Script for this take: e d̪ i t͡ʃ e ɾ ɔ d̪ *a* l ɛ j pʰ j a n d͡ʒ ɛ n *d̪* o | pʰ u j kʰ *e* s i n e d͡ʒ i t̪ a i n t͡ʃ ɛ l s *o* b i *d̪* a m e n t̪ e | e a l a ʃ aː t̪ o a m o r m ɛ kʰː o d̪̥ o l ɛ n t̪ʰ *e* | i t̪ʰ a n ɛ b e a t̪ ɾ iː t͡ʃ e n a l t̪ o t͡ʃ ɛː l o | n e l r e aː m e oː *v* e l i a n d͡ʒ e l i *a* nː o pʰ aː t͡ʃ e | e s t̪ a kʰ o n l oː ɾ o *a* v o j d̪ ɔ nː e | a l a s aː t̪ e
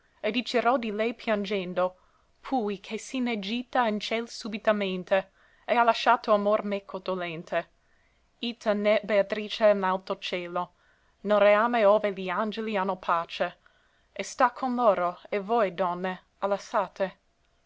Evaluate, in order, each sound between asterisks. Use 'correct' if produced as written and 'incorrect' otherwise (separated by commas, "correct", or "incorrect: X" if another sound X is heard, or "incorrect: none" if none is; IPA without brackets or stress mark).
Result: incorrect: i, correct, correct, incorrect: u, incorrect: t̪, correct, correct, correct, incorrect: e